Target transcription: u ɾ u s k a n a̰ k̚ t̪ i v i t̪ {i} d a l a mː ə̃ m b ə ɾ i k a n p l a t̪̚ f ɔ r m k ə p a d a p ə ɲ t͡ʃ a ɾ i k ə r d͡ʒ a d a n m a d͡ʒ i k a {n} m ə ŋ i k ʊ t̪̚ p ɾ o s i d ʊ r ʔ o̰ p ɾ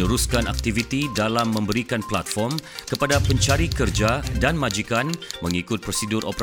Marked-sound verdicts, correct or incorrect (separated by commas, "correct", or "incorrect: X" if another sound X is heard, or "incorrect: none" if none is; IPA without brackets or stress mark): correct, correct